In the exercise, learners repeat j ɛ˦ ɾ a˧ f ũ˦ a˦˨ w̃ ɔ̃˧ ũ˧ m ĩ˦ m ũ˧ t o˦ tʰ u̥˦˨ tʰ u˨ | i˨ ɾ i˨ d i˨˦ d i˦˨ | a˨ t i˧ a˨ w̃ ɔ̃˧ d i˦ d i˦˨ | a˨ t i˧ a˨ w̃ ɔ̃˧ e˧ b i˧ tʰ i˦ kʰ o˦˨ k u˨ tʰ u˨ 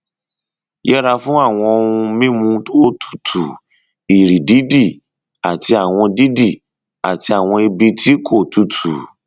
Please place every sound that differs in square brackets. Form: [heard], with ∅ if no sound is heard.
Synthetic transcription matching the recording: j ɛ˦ ɾ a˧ f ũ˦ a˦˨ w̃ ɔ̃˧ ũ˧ m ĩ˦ m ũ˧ t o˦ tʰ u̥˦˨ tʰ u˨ | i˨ ɾ i˨ d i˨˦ d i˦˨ | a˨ t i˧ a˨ w̃ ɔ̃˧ d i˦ d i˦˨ | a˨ t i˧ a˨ w̃ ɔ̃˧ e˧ b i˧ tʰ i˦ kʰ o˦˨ [t] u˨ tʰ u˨